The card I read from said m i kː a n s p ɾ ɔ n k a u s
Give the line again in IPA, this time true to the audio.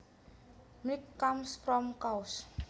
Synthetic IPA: m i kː a m s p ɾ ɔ m k a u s